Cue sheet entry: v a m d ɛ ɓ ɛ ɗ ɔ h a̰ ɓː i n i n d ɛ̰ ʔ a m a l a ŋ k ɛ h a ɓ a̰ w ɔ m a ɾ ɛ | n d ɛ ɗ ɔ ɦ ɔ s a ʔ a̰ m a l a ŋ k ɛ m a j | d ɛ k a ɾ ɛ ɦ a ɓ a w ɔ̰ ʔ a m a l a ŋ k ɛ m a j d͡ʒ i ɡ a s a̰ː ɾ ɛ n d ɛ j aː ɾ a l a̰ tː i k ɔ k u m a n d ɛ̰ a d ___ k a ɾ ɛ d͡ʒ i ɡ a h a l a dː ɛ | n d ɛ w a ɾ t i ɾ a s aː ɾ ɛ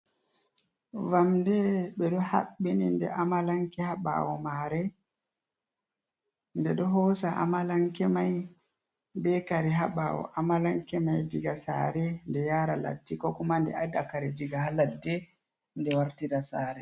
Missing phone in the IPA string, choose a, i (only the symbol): a